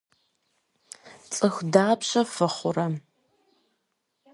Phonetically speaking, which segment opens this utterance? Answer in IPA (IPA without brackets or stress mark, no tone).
t͡sʼ